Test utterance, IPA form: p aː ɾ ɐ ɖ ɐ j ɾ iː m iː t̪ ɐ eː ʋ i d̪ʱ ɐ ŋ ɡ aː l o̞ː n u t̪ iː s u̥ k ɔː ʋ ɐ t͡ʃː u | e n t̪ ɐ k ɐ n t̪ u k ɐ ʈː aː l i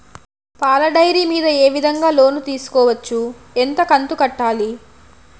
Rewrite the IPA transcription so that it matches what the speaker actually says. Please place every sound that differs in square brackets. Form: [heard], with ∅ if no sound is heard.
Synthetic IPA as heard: p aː [l] ɐ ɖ ɐ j ɾ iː m iː [d̪] ɐ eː ʋ i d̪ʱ ɐ ŋ ɡ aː l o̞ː n u t̪ iː s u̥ k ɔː ʋ ɐ t͡ʃː u | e n t̪ ɐ k ɐ n t̪ u k ɐ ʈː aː l i